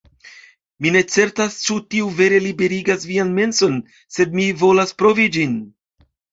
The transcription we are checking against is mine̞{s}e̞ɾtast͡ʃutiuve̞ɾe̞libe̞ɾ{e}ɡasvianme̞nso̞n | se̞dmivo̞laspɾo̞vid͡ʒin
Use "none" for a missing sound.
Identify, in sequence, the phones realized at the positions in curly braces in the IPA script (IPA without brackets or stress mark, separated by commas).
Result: t͡s, i